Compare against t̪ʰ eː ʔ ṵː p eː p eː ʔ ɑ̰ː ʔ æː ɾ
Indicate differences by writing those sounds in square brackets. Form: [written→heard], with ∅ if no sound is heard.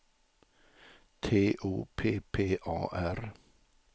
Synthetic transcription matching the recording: t̪ʰ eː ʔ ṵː [p→pʰ] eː [p→pʰ] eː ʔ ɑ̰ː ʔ [æː→æ] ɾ